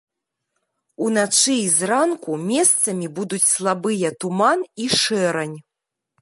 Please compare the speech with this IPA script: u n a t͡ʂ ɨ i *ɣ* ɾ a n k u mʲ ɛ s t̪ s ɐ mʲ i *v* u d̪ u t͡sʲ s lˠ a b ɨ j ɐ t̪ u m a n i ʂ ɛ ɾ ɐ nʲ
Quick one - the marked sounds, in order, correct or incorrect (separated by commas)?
incorrect, incorrect